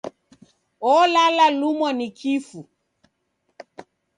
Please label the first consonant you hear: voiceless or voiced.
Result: voiced